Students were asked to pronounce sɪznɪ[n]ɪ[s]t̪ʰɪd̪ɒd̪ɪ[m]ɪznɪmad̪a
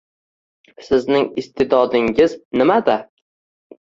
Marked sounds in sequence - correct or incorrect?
incorrect: ŋ, correct, incorrect: ŋ

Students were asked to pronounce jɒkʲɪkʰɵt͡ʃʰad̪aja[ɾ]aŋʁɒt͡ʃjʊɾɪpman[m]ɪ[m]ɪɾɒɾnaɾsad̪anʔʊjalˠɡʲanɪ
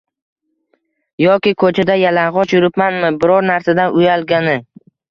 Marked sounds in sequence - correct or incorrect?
incorrect: l, correct, incorrect: b

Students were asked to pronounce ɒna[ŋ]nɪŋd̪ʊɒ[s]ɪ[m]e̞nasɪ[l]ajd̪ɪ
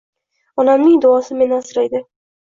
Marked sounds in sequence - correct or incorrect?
incorrect: m, correct, correct, incorrect: ɾ

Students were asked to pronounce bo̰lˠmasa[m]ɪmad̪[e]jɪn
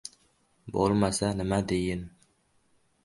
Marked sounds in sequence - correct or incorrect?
incorrect: n, correct

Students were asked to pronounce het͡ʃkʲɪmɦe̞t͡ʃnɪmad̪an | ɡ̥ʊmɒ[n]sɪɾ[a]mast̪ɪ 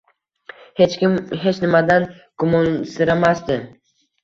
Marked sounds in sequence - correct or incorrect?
correct, correct

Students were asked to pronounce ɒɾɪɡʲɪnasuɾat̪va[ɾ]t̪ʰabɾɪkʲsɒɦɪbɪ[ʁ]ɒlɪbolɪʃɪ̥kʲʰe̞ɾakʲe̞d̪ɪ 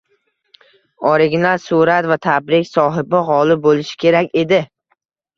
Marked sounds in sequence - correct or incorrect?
incorrect: none, correct

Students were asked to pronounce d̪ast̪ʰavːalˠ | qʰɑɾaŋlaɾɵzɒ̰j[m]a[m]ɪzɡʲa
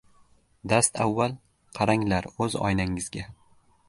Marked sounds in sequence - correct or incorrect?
incorrect: n, incorrect: ŋ

